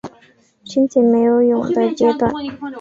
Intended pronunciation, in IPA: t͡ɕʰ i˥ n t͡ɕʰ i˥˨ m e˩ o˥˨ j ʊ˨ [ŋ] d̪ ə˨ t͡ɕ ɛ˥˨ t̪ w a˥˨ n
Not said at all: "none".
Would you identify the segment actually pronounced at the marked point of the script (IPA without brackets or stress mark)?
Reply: ŋ